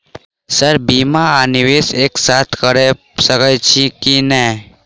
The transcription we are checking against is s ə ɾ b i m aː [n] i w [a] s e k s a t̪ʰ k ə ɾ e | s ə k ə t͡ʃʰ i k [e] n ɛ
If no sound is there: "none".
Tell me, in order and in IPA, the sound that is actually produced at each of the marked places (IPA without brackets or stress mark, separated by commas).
n, e, i